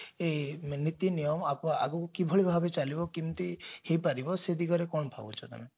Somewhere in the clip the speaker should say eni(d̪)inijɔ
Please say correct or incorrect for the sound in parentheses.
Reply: incorrect: t̪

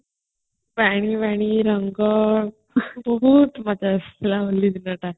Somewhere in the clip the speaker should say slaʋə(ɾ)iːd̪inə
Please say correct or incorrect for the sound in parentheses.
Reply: incorrect: l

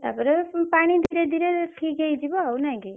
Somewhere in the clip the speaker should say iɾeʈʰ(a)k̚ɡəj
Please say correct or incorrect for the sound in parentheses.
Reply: incorrect: i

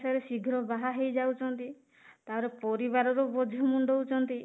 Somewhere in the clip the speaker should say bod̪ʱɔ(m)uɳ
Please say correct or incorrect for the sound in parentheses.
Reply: correct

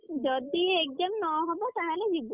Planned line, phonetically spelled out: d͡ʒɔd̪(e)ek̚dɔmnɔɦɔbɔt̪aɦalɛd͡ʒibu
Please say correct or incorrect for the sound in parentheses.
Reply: incorrect: i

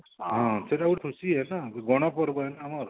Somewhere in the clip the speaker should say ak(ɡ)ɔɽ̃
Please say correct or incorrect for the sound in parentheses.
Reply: correct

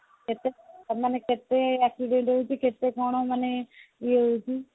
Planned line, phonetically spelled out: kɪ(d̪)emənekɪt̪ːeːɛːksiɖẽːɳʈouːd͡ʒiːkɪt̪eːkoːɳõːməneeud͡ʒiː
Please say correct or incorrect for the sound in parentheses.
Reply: incorrect: t̪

